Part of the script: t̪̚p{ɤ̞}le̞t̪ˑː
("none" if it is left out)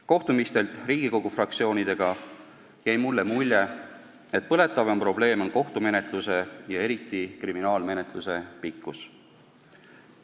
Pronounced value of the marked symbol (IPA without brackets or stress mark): ɤ̞